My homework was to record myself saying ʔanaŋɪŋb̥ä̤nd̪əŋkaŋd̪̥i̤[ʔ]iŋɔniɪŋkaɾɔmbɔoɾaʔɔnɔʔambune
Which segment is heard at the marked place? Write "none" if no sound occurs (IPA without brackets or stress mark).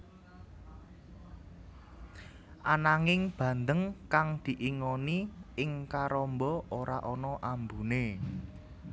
ʔ